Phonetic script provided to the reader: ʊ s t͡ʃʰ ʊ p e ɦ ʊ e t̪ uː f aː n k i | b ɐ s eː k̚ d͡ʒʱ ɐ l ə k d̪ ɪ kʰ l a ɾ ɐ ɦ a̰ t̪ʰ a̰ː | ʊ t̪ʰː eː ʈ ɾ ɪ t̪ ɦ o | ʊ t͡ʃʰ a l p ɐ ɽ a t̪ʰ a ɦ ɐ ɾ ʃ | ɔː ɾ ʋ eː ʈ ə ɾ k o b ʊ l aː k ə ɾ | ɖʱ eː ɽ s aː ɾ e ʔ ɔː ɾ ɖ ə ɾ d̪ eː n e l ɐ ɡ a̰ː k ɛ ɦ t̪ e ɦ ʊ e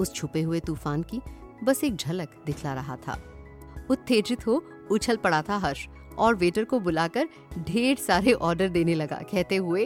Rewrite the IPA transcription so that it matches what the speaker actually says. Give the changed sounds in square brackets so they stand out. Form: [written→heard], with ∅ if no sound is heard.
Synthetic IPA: ʊ s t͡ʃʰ ʊ p e ɦ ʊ e t̪ uː f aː n k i | b ɐ s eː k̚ d͡ʒʱ ɐ l ə k d̪ ɪ kʰ l a ɾ ɐ ɦ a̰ t̪ʰ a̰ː | ʊ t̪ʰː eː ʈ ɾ ɪ t̪ ɦ o | ʊ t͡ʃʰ [a→ə] l p ɐ ɽ a t̪ʰ a ɦ ɐ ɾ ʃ | ɔː ɾ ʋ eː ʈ ə ɾ k o b ʊ l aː k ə ɾ | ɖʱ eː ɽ s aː ɾ e ʔ ɔː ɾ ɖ ə ɾ d̪ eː n e l ɐ ɡ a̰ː k ɛ ɦ t̪ e ɦ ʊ e